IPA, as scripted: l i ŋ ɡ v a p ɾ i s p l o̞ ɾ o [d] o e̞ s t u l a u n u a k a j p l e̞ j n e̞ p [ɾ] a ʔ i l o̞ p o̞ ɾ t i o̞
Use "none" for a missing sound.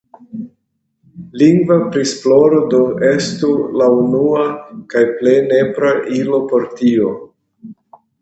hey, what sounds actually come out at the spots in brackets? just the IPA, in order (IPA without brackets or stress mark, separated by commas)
d, ɾ